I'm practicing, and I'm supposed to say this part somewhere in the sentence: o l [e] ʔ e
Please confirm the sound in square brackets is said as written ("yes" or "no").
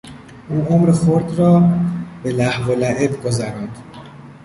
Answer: no